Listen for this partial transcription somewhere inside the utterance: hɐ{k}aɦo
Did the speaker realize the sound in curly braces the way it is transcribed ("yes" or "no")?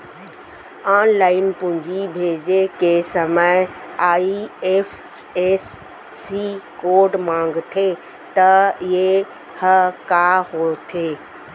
yes